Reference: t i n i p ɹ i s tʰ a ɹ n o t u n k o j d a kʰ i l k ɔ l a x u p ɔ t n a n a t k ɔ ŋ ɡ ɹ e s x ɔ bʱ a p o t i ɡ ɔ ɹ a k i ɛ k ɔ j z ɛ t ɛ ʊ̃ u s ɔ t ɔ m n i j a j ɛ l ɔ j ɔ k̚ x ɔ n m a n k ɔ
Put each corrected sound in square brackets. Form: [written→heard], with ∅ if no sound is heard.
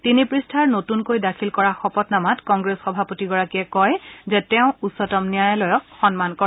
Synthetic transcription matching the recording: t i n i p ɹ i s tʰ a ɹ n o t u n k o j d a kʰ i l k ɔ [l→ɹ] a x [u→ɔ] p ɔ t n a [n→m] a t k ɔ ŋ ɡ ɹ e s x ɔ bʱ a p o t i ɡ ɔ ɹ a k i ɛ k ɔ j z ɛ t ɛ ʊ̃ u s ɔ t ɔ m n i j a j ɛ l ɔ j ɔ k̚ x ɔ n m a n k ɔ